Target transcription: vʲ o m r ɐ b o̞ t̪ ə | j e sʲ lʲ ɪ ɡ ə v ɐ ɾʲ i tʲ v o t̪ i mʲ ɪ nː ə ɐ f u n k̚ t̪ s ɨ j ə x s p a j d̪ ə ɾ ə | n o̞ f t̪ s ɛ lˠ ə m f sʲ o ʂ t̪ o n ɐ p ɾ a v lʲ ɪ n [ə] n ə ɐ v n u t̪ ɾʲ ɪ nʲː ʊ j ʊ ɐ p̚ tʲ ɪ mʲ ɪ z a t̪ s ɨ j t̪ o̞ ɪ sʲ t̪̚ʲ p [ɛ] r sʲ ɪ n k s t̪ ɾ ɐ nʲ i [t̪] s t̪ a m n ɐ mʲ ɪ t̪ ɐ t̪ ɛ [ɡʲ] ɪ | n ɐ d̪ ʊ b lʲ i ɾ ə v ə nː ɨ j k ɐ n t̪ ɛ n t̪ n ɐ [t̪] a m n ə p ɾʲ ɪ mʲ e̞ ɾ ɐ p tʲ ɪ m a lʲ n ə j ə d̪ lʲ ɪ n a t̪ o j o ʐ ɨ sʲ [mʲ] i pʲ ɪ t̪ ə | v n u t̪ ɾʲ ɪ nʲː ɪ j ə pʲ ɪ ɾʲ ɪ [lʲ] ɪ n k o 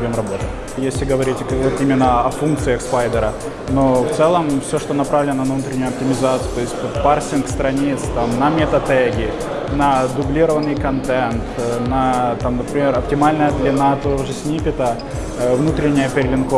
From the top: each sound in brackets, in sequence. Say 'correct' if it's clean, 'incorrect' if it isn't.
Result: correct, incorrect: a, correct, correct, correct, incorrect: nʲ, correct

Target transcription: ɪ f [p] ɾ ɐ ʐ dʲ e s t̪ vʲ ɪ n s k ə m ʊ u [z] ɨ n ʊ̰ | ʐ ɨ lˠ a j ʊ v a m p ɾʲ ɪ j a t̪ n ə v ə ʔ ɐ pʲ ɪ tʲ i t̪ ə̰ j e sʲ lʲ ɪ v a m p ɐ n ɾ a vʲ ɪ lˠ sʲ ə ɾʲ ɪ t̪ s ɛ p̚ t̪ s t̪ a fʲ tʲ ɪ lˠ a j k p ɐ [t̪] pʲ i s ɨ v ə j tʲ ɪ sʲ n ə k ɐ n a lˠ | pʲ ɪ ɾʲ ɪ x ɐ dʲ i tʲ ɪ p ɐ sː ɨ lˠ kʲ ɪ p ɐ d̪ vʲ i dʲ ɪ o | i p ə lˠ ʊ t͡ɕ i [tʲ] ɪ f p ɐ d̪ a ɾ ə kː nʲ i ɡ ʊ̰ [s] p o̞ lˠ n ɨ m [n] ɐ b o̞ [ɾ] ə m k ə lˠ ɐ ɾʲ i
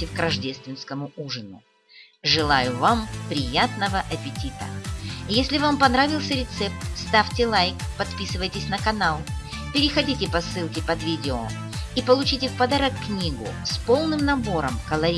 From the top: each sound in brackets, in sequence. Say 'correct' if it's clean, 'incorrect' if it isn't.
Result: incorrect: k, incorrect: ʐ, correct, correct, correct, correct, correct

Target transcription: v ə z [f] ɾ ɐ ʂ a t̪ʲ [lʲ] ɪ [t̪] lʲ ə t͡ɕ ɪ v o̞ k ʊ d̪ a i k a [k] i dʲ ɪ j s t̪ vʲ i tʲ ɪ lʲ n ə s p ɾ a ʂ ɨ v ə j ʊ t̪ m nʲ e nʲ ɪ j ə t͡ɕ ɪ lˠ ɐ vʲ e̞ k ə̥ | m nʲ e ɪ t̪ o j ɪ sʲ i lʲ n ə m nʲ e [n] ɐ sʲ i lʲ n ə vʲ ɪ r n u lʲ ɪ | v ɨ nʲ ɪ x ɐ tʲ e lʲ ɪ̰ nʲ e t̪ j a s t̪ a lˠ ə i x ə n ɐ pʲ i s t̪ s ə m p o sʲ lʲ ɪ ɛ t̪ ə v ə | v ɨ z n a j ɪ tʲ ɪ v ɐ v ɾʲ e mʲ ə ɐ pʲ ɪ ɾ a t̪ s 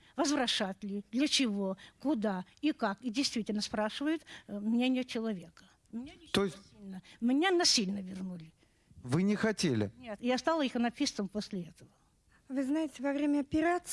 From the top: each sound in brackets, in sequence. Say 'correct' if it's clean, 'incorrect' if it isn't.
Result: incorrect: v, correct, incorrect: d̪, correct, correct

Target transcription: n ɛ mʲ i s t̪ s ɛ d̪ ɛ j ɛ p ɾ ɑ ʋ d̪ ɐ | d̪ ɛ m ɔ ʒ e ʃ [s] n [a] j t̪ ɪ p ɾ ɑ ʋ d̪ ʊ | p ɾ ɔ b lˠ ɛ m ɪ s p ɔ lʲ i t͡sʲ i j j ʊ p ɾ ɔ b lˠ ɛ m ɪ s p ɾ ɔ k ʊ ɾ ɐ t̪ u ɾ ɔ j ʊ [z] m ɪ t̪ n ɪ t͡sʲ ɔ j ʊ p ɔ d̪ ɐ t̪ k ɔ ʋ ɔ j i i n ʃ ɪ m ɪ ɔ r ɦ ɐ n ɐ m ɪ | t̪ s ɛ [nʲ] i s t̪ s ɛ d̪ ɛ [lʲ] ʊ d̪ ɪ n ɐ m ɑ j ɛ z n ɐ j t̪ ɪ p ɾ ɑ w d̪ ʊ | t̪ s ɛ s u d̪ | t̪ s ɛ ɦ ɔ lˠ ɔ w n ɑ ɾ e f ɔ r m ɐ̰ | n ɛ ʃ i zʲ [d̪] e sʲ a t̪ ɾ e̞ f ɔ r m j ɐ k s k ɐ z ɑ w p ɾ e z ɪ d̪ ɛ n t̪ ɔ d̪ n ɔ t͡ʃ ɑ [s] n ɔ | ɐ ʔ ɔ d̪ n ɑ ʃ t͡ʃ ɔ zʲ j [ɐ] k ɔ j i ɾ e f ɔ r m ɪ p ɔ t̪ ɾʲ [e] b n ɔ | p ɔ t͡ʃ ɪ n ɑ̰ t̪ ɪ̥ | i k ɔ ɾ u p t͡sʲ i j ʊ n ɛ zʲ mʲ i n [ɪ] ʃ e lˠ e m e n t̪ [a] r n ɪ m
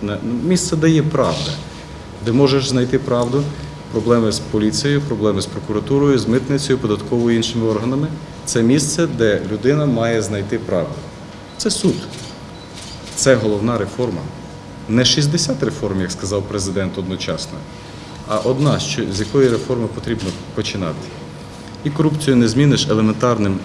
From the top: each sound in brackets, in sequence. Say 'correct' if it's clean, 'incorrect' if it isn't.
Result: incorrect: z, incorrect: ɐ, correct, incorrect: mʲ, correct, correct, correct, correct, incorrect: i, correct, incorrect: ɑ

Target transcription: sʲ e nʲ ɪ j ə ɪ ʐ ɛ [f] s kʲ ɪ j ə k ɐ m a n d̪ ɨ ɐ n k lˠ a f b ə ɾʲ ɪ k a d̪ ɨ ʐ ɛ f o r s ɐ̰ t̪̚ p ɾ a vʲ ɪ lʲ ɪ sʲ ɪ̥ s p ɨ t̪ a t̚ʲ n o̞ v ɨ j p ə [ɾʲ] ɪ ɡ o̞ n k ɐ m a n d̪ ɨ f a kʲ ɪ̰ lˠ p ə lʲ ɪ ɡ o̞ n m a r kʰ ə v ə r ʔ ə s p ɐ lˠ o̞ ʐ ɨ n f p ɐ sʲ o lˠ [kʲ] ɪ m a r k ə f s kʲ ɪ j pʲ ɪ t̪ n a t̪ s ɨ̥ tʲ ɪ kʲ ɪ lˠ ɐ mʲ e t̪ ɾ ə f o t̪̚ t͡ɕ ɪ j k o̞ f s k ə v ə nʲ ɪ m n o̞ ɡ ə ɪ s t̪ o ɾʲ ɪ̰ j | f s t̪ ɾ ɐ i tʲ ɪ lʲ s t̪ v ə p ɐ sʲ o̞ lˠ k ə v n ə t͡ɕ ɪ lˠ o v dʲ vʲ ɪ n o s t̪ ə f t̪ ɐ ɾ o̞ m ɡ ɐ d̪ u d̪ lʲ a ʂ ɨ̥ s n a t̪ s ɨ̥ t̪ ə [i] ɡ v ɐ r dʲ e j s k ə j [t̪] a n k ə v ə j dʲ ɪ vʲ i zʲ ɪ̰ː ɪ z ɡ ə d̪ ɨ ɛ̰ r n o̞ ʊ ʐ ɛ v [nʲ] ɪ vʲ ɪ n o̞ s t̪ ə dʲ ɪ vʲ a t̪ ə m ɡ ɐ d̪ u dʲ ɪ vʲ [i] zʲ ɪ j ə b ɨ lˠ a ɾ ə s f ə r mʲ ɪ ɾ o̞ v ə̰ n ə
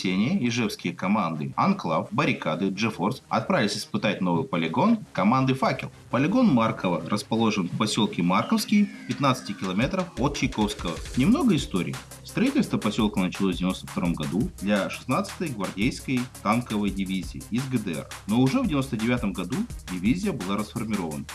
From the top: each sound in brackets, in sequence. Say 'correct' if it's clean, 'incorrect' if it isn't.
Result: correct, incorrect: lʲ, correct, incorrect: j, correct, incorrect: dʲ, correct

